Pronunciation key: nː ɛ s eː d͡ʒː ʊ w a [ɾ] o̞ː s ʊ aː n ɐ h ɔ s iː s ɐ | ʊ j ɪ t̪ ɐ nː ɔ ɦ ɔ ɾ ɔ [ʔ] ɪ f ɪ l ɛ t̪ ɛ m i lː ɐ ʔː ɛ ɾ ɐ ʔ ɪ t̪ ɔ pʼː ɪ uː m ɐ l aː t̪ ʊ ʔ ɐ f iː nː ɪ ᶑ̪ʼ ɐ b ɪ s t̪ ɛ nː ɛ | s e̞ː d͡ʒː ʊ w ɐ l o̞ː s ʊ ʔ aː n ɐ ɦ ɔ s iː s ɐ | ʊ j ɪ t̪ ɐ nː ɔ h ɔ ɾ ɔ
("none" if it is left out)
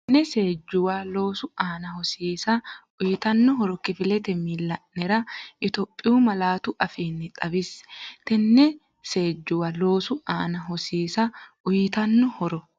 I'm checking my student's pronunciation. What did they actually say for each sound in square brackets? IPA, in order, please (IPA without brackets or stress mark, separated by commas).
l, k